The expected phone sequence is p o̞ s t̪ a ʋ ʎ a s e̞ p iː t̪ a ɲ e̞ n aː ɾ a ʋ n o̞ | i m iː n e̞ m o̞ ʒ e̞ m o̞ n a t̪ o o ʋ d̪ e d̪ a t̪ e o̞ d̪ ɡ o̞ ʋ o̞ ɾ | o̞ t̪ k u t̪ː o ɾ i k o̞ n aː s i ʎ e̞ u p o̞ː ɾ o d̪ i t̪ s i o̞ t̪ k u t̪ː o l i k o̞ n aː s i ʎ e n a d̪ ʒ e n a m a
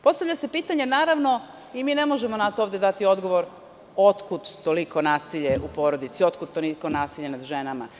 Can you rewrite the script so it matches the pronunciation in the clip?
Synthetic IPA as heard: p o̞ s t̪ a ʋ ʎ a s e̞ p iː t̪ a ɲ e̞ n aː ɾ a ʋ n o̞ | i m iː n e̞ m o̞ ʒ e̞ m o̞ n a t̪ o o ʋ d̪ e d̪ a t̪ i o̞ d̪ ɡ o̞ ʋ o̞ ɾ | o̞ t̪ k u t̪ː o l i k o̞ n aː s i ʎ e̞ u p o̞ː ɾ o d̪ i t̪ s i o̞ t̪ k u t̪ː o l i k o̞ n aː s i ʎ e n a d̪ ʒ e n a m a